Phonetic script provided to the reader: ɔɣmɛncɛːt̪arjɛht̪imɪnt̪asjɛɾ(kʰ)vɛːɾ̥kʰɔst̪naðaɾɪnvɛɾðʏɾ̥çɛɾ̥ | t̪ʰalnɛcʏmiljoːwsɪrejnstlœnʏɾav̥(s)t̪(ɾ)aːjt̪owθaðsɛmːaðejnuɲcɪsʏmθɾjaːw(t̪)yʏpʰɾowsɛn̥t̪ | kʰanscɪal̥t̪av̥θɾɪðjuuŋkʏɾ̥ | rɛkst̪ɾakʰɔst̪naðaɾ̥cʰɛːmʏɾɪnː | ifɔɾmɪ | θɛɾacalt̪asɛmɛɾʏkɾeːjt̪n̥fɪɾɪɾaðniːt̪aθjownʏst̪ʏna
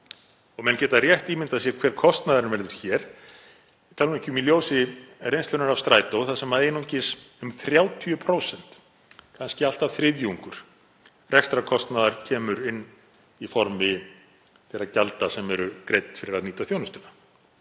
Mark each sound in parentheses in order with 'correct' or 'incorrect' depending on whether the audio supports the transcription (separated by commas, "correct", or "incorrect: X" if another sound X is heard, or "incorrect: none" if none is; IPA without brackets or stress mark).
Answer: correct, correct, correct, incorrect: t̪ʰ